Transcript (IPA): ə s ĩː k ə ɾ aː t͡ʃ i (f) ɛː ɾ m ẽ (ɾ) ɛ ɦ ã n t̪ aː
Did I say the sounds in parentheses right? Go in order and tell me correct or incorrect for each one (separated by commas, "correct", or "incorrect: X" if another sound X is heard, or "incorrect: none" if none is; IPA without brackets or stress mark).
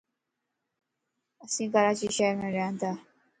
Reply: incorrect: ʃ, correct